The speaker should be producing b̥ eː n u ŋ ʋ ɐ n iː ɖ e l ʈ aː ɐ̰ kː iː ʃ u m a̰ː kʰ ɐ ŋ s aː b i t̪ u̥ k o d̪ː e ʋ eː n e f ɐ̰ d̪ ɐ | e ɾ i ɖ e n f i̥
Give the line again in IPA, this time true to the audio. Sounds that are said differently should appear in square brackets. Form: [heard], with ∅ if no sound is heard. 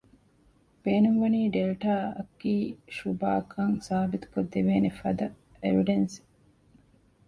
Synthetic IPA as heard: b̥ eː n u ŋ ʋ ɐ n iː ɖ e l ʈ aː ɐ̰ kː iː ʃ u [b] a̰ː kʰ ɐ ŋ s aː b i t̪ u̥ k o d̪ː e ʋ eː n e f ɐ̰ d̪ ɐ | e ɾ i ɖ e n [s] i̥